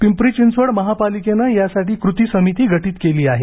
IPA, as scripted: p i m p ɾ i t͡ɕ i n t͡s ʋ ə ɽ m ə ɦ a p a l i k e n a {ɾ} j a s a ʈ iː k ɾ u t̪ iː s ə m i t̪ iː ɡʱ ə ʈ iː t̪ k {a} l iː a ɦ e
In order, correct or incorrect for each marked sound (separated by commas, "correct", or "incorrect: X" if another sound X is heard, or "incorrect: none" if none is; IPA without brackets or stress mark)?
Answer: incorrect: none, incorrect: e